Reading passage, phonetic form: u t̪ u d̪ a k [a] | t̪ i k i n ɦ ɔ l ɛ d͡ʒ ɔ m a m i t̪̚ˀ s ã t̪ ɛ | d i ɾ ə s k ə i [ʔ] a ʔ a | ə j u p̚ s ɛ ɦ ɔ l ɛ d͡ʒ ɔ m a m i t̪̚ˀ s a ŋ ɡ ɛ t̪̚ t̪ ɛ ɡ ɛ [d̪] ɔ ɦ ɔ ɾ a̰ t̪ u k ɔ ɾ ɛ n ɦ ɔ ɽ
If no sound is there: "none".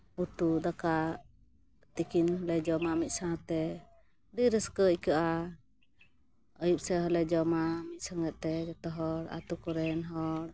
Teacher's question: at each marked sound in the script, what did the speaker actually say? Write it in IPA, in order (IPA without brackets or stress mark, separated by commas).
a, k, t̪